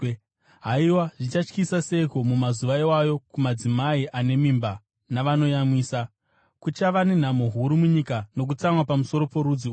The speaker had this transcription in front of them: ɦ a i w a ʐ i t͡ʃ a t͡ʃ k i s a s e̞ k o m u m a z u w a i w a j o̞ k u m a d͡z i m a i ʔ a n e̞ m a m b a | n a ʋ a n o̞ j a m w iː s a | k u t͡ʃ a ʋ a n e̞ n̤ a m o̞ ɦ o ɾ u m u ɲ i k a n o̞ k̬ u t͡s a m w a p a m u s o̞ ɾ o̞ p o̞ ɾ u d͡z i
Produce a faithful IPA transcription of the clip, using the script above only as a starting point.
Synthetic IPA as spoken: ɦ a i w a ʐ i t͡ʃ a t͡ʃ k i s a s e̞ k o m u m a z u ʋ a i w a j o̞ k u m a d͡z i m a i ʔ a n e̞ m i m b a | n a ʋ a n o̞ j a m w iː s a | k u t͡ʃ a ʋ a n e̞ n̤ a m o̞ ɦ u ɾ u m u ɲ i k a n o̞ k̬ u t͡s a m w a p a m u s o̞ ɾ o̞ p o̞ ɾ u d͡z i